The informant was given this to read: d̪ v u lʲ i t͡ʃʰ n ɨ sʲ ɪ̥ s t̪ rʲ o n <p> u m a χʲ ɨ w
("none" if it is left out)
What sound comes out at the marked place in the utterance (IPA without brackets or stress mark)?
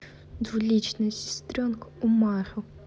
k